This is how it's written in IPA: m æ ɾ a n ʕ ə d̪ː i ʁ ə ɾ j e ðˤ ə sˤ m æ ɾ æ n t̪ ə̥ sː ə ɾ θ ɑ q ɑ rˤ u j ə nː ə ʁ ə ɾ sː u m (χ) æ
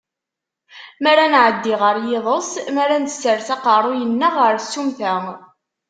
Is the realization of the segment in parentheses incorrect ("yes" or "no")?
yes